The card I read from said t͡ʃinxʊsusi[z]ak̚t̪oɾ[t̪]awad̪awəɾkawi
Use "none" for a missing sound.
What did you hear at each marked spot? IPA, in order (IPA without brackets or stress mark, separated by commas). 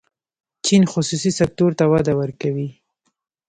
s, t̪